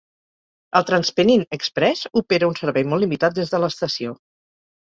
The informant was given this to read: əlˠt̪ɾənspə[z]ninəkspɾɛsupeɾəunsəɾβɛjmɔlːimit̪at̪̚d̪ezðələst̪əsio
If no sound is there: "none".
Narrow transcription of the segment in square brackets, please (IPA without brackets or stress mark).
none